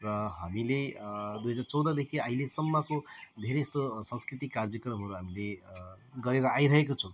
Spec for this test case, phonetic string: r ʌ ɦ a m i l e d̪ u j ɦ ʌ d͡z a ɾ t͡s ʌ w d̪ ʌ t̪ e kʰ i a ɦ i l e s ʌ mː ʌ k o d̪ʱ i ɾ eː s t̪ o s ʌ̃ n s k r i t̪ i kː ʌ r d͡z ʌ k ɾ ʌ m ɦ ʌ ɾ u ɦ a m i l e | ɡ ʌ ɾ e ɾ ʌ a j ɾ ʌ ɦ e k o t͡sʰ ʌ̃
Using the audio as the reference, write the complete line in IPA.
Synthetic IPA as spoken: r ʌ ɦ a m i l e d̪ u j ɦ ʌ d͡z a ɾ t͡s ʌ w d̪ ʌ d̪ e kʰ i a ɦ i l e s ʌ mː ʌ k o d̪ʱ e ɾ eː s t̪ o s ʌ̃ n s k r i t̪ i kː a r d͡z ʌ k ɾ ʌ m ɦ ʌ ɾ u ɦ a m i l e | ɡ ʌ ɾ e ɾ ʌ a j ɾ ʌ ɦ e k o t͡sʰ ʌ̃

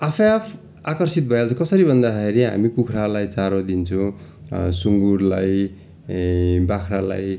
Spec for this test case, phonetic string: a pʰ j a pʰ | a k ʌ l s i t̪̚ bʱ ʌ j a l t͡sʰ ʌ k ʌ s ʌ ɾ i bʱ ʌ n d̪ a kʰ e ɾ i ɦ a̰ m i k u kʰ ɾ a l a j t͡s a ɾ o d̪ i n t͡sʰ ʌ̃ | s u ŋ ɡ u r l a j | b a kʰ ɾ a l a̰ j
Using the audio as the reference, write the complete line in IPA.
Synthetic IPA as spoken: a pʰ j a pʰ | a k ʌ r s i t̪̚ bʱ ʌ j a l t͡sʰ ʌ k ʌ s ʌ ɾ i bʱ ʌ n d̪ a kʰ e ɾ i ɦ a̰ m i k u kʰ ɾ a l a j t͡s a ɾ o d̪ i n t͡sʰ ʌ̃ | s u ŋ ɡ u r l a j | b a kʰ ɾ a l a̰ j

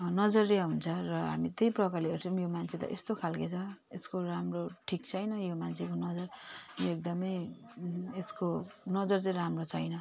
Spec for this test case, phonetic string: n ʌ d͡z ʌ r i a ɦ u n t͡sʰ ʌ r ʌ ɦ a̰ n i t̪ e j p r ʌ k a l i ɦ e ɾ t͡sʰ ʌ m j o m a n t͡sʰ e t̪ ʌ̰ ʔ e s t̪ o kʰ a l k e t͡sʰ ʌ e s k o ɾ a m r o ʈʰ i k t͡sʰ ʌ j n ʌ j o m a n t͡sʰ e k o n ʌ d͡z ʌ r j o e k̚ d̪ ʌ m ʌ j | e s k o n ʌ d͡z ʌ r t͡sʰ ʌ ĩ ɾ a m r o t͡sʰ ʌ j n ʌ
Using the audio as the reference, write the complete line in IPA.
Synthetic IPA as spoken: n ʌ d͡z ʌ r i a ɦ u n t͡sʰ ʌ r ʌ ɦ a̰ m i t̪ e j p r ʌ k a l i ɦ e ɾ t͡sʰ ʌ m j o m a n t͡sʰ e t̪ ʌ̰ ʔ e s t̪ o kʰ a l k e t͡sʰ ʌ e s k o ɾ a m r o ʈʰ i k t͡sʰ ʌ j n ʌ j o m a n t͡sʰ e k o n ʌ d͡z ʌ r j o e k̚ d̪ ʌ m ʌ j | e s k o n ʌ d͡z ʌ r t͡s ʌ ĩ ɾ a m r o t͡sʰ ʌ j n ʌ

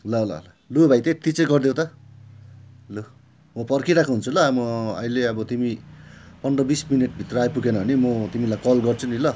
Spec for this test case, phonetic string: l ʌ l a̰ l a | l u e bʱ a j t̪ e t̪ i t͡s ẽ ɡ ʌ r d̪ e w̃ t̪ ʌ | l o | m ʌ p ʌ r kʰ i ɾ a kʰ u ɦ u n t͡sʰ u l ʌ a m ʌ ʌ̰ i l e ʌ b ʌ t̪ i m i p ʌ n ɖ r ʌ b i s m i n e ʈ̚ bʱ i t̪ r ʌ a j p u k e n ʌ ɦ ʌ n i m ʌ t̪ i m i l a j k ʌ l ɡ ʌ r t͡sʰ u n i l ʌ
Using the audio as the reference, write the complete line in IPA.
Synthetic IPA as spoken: l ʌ l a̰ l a | l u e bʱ a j t̪ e t̪ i t͡s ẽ ɡ ʌ r d̪ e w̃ t̪ ʌ | l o | m ʌ p ʌ r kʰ i ɾ a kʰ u ɦ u n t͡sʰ u l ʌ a m ʌ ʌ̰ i l e ʌ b ʌ t̪ i m i p ʌ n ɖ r ʌ b i s m i n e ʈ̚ bʱ i t̪ r ʌ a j p u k e n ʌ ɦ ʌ n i m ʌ t̪ i m i l a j k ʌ l ɡ ʌ r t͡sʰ u n i l ʌ

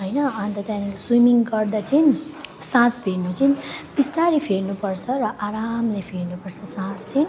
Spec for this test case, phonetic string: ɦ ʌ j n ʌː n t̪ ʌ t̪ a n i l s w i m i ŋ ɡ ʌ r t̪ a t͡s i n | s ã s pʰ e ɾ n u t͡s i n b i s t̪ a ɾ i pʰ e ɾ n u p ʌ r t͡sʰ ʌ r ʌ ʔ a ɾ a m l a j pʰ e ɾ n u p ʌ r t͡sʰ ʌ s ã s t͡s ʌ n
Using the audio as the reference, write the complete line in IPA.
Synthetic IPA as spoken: ɦ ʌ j n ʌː n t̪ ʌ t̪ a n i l s w i m i ŋ ɡ ʌ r d̪ a t͡s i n | s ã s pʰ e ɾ n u t͡s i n b i s t̪ a ɾ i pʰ e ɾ n u p ʌ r t͡sʰ ʌ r ʌ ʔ a ɾ a m l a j pʰ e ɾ n u p ʌ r t͡sʰ ʌ s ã s t͡s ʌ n

